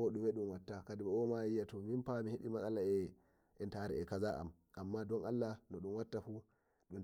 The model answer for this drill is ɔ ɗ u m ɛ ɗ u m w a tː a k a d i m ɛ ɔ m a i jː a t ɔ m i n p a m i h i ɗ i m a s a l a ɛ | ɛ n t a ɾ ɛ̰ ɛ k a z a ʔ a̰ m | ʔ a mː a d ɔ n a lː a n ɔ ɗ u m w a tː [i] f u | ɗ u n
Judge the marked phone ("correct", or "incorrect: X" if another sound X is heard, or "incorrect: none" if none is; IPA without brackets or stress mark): incorrect: a